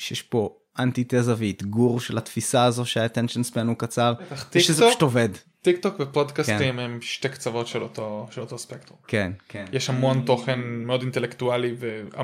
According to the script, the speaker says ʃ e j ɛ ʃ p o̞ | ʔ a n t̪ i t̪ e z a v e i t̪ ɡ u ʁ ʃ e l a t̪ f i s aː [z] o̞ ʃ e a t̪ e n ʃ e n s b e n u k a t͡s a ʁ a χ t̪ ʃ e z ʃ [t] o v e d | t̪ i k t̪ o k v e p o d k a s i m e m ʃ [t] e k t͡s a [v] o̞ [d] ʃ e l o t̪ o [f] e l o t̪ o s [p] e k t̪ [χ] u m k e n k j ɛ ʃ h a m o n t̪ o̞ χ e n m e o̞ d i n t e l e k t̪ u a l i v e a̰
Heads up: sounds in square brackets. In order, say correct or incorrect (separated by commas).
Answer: correct, correct, correct, correct, incorrect, incorrect, correct, incorrect